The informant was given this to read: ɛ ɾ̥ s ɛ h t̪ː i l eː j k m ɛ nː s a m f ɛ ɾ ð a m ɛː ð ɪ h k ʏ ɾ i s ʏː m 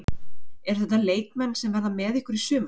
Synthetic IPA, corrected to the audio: ɛ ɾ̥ θ ɛ h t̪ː a l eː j k m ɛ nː s ɛ m v ɛ ɾ ð a m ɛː ð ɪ h k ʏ ɾ i s ʏː m